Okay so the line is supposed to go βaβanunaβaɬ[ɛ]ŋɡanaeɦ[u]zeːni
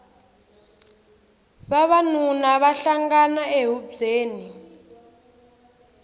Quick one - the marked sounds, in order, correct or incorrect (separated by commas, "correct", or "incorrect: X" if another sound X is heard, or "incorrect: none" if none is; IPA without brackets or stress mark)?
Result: incorrect: a, correct